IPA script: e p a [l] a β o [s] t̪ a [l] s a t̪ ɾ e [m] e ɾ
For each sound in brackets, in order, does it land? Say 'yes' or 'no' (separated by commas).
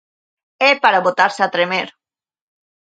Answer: no, no, no, yes